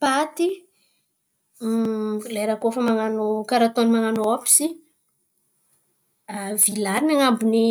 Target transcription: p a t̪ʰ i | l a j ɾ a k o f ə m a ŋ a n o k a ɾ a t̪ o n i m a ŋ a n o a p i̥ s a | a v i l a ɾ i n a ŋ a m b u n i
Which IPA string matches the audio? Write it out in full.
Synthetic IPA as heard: p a t̪ i | l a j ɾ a k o f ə m a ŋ a n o k a ɾ a t̪ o n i m a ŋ a n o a p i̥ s i | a v i l a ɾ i n a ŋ a m b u n i